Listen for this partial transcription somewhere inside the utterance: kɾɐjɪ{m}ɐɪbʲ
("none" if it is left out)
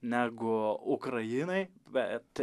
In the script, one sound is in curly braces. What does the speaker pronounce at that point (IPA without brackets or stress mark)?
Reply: n